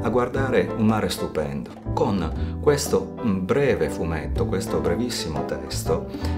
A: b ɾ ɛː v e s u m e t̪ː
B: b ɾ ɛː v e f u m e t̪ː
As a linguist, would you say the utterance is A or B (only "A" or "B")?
B